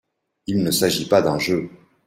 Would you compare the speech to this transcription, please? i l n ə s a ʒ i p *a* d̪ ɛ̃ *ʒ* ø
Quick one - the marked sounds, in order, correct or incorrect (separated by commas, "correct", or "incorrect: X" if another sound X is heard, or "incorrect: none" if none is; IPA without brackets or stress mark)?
correct, correct